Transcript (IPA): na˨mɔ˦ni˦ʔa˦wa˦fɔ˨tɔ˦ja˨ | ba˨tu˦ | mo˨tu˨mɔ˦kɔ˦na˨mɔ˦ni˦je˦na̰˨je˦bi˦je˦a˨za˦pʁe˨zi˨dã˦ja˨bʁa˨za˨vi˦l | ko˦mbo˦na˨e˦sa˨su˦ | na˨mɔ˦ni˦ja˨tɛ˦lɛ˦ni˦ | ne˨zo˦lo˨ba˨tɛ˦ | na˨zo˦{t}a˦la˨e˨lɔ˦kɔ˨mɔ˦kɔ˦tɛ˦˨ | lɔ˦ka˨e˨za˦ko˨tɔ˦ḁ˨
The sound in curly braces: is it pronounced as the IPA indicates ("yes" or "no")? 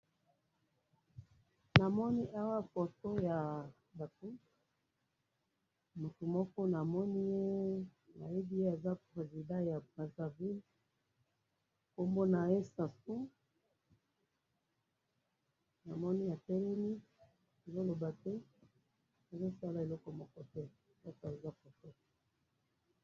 no